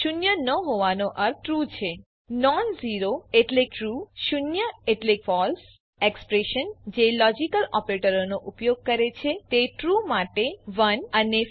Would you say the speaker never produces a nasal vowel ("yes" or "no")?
yes